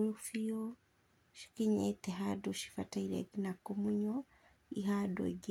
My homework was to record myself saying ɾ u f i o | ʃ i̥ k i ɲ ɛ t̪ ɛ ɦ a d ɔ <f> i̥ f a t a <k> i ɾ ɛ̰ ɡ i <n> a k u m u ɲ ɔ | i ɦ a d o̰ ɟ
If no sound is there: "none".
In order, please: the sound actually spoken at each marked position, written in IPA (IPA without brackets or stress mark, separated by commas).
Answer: ʃ, none, n